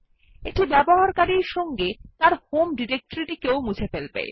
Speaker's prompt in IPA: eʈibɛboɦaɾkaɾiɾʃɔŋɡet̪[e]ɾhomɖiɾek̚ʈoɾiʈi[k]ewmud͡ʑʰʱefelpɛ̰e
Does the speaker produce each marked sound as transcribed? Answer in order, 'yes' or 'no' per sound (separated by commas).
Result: no, yes